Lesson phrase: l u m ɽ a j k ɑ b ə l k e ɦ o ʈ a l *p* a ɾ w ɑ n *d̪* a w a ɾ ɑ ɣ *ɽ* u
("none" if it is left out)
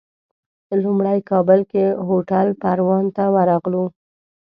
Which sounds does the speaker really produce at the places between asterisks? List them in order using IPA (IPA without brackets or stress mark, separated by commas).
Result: p, t̪, l